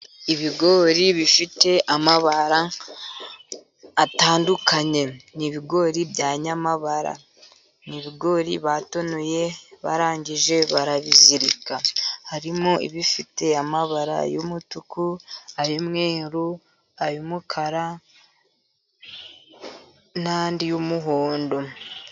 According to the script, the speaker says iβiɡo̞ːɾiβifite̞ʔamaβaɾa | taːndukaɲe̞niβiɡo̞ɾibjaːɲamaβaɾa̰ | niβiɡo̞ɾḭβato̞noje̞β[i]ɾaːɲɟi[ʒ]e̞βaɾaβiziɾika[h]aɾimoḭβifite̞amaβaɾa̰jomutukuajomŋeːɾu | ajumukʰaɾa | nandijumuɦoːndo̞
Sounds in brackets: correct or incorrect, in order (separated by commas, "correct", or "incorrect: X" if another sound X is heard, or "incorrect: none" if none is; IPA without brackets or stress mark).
incorrect: a, correct, correct